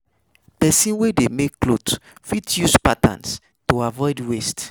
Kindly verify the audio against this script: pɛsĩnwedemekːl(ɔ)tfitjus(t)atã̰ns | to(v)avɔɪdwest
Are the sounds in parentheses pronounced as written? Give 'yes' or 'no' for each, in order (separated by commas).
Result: no, no, no